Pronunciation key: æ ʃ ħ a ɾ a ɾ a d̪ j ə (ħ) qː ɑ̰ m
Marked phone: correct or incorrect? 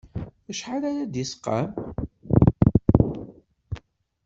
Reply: incorrect